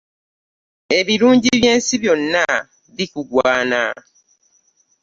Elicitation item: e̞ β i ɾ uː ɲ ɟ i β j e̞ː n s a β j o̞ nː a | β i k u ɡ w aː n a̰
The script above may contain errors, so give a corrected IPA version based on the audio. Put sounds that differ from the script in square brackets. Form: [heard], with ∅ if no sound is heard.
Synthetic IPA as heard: e̞ β i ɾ uː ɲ ɟ i β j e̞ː n s [i] β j o̞ nː a | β i k u ɡ w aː n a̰